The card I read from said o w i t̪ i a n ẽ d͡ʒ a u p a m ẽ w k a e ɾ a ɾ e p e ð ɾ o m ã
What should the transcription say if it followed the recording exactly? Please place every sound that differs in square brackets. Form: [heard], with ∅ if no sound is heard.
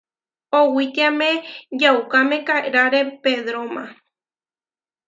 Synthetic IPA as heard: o w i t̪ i a [m] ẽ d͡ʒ a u [k] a m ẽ [∅] k a e ɾ a ɾ e p e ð ɾ o m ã